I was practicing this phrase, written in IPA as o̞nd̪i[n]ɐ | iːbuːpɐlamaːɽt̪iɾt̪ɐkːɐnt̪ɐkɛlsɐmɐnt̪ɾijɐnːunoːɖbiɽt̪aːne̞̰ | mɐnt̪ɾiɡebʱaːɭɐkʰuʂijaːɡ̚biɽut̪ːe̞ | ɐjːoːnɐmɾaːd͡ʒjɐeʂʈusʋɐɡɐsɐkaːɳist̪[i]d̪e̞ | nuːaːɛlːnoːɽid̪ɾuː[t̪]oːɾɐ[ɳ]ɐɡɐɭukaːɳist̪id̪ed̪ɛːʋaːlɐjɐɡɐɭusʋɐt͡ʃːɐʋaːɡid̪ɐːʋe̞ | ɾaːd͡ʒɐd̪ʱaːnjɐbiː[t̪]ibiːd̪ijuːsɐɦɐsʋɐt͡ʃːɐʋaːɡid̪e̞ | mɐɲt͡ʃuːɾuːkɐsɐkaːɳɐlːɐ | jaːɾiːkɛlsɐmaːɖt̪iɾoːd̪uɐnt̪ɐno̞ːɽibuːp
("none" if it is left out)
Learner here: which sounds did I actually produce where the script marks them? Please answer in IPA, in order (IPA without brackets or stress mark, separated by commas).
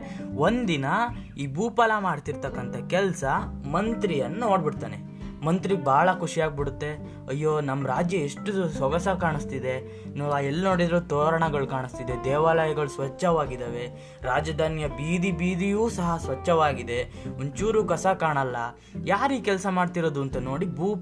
n, i, t̪, ɳ, d̪